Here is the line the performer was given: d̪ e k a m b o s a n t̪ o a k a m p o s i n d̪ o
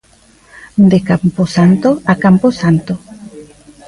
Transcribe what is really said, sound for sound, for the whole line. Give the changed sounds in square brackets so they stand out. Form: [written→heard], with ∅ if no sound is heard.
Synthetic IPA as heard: d̪ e k a m [b→p] o s a n t̪ o a k a m p o s [i→a] n [d̪→t̪] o